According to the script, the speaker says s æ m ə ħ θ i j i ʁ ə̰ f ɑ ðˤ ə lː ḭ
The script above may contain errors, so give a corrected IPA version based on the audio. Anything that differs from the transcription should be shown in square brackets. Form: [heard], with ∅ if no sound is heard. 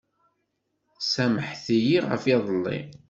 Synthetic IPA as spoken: s æ m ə ħ θ i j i ʁ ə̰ f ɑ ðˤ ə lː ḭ